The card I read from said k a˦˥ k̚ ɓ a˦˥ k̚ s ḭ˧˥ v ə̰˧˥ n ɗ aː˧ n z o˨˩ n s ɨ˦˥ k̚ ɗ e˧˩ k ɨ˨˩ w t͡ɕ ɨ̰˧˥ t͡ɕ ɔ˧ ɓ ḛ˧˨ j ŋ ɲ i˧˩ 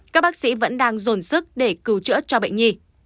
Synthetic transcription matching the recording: k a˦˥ k̚ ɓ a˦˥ k̚ s ḭ˧˥ v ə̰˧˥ n ɗ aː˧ ŋ z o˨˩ n s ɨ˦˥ k̚ ɗ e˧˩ k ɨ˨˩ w t͡ɕ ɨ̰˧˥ t͡ɕ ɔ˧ ɓ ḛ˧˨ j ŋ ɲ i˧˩